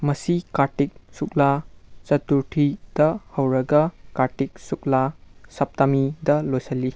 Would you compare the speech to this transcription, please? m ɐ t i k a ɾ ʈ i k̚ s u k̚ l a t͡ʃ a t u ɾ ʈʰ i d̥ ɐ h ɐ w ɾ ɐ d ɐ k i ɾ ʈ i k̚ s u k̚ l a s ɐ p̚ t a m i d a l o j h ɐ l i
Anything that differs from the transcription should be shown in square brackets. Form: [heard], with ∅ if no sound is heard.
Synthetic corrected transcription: m ɐ [s] i k a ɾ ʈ i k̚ s u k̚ l a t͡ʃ [ɐ] t u ɾ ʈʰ i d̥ ɐ h ɐ w ɾ ɐ [ɡ] ɐ k [a] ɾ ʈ i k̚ s u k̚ l a s ɐ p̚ t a m i d [ɐ] l o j [s] ɐ l i